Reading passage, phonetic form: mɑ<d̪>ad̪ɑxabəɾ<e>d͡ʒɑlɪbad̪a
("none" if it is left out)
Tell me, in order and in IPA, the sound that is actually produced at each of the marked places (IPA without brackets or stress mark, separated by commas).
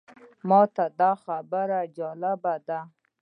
t̪, a